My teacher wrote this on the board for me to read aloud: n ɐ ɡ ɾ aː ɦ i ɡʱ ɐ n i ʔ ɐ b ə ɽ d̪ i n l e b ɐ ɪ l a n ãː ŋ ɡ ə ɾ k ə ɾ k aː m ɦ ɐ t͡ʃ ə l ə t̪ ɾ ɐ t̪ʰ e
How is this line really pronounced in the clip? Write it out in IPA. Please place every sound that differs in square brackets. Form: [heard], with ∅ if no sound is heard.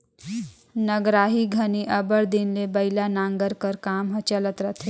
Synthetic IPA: n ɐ ɡ ɾ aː ɦ i ɡʱ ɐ n i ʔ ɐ b ə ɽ d̪ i n l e b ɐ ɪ l a n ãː ŋ ɡ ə ɾ k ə ɾ k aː m ɦ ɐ t͡ʃ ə l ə t̪ ɾ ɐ t̪ʰ e